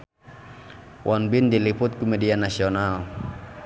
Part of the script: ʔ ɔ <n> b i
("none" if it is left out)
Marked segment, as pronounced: n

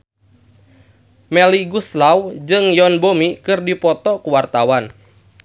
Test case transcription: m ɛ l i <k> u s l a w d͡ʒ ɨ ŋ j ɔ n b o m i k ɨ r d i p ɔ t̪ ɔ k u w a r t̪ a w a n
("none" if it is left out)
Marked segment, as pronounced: ɡ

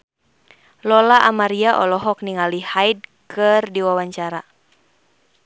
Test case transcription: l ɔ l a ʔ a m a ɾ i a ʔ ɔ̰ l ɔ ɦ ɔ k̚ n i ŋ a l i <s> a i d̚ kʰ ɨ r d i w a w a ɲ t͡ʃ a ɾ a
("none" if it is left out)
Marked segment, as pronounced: h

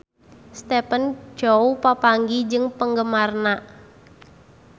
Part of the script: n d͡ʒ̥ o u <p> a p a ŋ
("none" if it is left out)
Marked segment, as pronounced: p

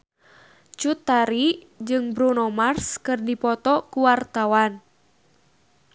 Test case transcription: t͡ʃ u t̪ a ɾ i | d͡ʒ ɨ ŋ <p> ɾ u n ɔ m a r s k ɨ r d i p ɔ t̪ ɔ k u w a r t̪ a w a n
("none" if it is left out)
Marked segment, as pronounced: b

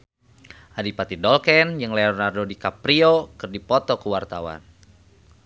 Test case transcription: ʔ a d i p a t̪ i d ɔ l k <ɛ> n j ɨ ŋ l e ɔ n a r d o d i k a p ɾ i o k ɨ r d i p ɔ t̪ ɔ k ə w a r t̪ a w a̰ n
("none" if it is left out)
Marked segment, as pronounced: ɛ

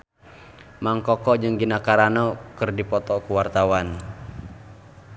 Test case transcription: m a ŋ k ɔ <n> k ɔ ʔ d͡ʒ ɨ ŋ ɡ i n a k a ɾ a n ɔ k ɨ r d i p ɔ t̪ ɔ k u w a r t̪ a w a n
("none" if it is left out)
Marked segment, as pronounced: none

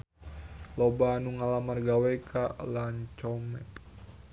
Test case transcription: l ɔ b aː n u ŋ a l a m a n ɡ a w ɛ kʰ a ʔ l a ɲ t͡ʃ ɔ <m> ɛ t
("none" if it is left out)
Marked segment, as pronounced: m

